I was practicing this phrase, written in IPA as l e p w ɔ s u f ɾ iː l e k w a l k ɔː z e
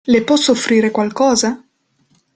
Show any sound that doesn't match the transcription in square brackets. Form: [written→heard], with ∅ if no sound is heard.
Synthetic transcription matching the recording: l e p w ɔ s [u→o] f ɾ iː [l→ɾ] e k w a l k ɔː z [e→a]